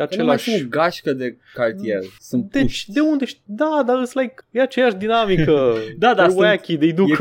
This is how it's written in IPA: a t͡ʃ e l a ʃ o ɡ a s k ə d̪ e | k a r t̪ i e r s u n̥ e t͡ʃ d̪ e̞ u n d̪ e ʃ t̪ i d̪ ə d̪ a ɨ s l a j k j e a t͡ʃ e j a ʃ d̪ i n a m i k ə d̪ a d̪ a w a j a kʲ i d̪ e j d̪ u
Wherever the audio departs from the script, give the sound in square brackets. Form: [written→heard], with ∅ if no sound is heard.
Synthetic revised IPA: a t͡ʃ e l a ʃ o ɡ a [s→ʃ] k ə d̪ e | k a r t̪ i e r s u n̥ e t͡ʃ d̪ e̞ u n d̪ e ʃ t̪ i d̪ [ə→a] d̪ a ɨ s l a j k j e a t͡ʃ e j a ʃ d̪ i n a m i k ə d̪ a d̪ a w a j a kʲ i d̪ e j d̪ u